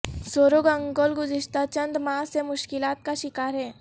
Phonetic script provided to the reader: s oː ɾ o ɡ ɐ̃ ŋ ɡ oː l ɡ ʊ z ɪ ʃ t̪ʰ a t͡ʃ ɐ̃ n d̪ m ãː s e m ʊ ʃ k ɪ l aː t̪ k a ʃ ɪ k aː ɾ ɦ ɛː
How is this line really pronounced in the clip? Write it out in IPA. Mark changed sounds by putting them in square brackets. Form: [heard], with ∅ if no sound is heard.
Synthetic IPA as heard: s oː ɾ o ɡ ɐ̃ ŋ ɡ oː l ɡ ʊ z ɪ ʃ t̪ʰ a t͡ʃ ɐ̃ n d̪ m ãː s e m ʊ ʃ k ɪ l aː t̪ k a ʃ ɪ k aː ɾ ɦ ɛː

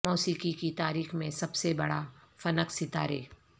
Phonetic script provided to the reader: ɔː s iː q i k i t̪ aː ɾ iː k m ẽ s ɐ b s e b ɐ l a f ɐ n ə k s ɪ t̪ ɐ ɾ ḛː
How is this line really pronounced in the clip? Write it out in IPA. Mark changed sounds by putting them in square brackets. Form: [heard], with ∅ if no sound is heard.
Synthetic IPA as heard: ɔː s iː [k] i k i t̪ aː ɾ iː [x] m ẽ s ɐ b s e b ɐ [ɽ] a f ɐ n ə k s ɪ t̪ [a] ɾ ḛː

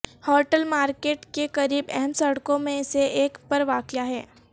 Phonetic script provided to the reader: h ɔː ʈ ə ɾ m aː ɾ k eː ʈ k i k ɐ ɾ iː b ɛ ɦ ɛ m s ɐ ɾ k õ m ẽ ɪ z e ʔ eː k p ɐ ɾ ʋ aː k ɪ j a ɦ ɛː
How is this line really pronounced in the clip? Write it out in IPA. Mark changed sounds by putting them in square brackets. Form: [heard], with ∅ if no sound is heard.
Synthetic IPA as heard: h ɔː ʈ ə [l] m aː ɾ k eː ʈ k [e] k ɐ ɾ iː b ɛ ɦ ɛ m s ɐ [ɽ] k õ m ẽ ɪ [s] e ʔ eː k p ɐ ɾ ʋ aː k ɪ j a ɦ ɛː

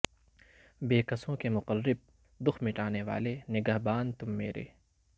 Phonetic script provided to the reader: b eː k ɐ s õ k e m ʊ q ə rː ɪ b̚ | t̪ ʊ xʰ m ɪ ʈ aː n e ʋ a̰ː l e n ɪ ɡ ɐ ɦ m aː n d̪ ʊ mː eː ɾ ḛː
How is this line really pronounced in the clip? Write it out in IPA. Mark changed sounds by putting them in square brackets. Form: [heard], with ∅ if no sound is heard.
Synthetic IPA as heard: b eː k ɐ s õ k e m ʊ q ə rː ɪ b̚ | [d̪] ʊ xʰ m ɪ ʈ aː n e ʋ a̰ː l e n ɪ ɡ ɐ ɦ [b] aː n [t̪] ʊ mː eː ɾ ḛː

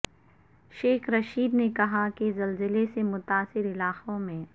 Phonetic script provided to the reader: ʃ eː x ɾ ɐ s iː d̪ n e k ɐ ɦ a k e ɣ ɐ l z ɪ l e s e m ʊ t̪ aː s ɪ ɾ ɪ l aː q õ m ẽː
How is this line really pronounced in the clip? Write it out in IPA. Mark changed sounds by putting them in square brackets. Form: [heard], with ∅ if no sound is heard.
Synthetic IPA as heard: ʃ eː x ɾ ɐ [ʃ] iː d̪ n e k ɐ ɦ a k e [z] ɐ l z ɪ l e s e m ʊ t̪ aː s ɪ ɾ ɪ l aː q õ m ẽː

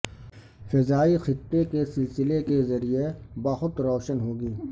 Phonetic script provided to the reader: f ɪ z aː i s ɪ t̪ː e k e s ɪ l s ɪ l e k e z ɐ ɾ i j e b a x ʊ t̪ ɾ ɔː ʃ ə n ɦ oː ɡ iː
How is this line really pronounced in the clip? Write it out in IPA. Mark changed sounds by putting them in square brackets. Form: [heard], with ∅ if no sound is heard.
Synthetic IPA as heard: f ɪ z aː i [x] ɪ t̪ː e k e s ɪ l s ɪ l e k e z ɐ ɾ i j e b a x ʊ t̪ ɾ ɔː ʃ ə n ɦ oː ɡ iː

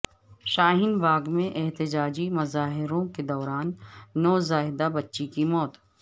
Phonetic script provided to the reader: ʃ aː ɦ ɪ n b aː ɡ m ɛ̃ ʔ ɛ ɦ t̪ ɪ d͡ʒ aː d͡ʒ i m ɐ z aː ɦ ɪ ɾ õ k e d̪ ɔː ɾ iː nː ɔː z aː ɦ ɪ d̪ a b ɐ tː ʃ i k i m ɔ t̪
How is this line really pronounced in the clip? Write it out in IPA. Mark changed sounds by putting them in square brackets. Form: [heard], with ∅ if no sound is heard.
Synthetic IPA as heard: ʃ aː ɦ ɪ n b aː ɡ m [ẽ] ʔ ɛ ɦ t̪ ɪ d͡ʒ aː d͡ʒ i m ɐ z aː ɦ ɪ ɾ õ k e d̪ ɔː ɾ [aː] nː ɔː z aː ɦ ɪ d̪ a b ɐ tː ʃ i k i m [ɔː] t̪

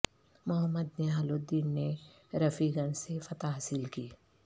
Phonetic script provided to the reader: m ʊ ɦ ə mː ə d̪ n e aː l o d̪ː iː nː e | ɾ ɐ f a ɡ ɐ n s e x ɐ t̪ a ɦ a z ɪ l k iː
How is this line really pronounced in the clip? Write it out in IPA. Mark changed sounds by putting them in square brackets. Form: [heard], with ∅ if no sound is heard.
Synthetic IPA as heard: m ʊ ɦ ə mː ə d̪ n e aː l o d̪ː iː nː e | ɾ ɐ f [i] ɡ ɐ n s e [f] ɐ t̪ a ɦ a [s] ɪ l k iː

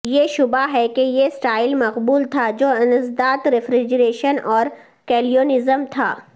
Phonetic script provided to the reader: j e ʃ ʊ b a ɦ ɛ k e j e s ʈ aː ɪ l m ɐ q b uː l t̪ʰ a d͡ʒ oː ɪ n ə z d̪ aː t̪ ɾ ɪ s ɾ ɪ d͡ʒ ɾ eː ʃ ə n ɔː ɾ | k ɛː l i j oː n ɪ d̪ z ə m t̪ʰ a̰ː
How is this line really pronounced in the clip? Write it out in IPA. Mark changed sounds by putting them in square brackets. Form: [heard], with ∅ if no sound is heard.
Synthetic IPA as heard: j e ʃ ʊ b a ɦ ɛ k e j e s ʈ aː ɪ l m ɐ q b uː l t̪ʰ a d͡ʒ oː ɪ n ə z d̪ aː t̪ ɾ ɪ [f] ɾ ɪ d͡ʒ ɾ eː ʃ ə n ɔː ɾ | k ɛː l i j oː n ɪ [∅] z ə m t̪ʰ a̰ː

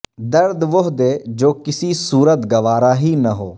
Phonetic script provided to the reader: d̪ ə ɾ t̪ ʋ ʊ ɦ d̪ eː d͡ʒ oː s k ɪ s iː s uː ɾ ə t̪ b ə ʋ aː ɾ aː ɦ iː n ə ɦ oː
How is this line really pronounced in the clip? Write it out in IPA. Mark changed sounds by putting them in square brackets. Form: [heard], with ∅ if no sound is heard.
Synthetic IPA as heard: d̪ ə ɾ [d̪] ʋ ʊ ɦ d̪ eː d͡ʒ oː [∅] k ɪ s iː s uː ɾ ə t̪ [ɡ] ə ʋ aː ɾ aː ɦ iː n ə ɦ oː

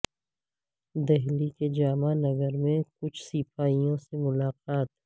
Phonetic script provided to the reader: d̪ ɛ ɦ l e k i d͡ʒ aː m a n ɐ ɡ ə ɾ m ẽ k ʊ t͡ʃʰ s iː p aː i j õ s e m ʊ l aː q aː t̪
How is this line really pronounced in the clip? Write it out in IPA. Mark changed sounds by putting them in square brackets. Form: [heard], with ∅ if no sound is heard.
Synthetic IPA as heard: d̪ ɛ ɦ l [i] k [e] d͡ʒ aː m a n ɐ ɡ ə ɾ m ẽ k ʊ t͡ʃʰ s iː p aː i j õ s e m ʊ l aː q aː t̪

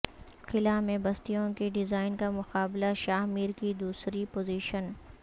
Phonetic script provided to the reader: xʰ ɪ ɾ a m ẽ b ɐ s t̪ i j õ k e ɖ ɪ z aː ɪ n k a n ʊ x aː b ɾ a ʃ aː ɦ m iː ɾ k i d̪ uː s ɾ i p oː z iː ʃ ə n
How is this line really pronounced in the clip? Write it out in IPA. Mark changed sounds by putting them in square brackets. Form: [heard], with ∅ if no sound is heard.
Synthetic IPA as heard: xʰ ɪ [l] a m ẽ b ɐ s t̪ i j õ k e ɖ ɪ z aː ɪ n k a [m] ʊ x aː b [l] a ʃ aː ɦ m iː ɾ k i d̪ uː s ɾ i p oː z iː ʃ ə n

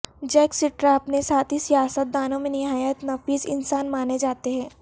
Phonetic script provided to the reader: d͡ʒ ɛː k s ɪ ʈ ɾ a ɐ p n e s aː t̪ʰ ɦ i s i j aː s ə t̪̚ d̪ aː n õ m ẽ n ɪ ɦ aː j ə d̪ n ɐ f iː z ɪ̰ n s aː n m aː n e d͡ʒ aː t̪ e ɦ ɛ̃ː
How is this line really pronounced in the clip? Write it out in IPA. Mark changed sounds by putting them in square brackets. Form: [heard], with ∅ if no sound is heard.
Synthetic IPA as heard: d͡ʒ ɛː k s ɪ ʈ ɾ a ɐ p n e s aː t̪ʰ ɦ i s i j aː s ə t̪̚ d̪ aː n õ m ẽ n ɪ ɦ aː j ə [t̪] n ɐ f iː z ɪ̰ n s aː n m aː n e d͡ʒ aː t̪ e ɦ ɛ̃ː

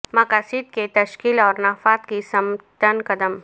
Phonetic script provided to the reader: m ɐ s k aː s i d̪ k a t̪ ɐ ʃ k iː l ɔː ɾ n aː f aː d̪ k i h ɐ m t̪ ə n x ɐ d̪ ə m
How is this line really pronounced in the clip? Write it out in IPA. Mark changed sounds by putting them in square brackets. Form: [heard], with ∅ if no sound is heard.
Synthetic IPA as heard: m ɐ [∅] k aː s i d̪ k [e] t̪ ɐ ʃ k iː l ɔː ɾ n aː f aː [t̪] k i [s] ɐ m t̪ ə n [k] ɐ d̪ ə m

